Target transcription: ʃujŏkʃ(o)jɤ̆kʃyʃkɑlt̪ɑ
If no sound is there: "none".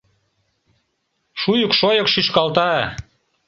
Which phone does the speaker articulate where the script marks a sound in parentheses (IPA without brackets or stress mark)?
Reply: o